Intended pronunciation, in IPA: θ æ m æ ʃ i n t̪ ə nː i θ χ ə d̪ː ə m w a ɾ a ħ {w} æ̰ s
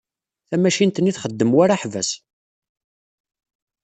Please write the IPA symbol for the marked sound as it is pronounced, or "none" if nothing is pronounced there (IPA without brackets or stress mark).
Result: v